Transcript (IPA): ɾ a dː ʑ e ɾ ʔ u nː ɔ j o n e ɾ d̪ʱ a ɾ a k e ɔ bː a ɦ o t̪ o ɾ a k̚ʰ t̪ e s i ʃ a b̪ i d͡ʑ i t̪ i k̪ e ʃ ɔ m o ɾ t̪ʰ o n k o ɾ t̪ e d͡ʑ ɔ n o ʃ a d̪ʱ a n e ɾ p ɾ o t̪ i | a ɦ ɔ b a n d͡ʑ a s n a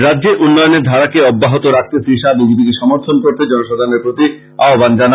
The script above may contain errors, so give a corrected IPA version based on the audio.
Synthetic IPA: ɾ a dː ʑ e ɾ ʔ u nː ɔ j o n e ɾ d̪ʱ a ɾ a k e ɔ bː a ɦ o t̪ o ɾ a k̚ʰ t̪ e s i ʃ a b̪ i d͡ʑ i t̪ i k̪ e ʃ ɔ m o ɾ t̪ʰ o n k o ɾ t̪ e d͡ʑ ɔ n o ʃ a d̪ʱ a n e ɾ p ɾ o t̪ i | a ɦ o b a n d͡ʑ a n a